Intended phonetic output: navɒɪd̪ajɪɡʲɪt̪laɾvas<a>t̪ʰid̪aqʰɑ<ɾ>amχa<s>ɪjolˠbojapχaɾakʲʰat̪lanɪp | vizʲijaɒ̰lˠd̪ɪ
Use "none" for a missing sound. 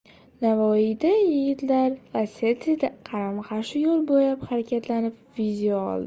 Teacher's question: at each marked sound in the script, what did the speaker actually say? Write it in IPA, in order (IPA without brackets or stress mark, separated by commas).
e, ɾ, ʃ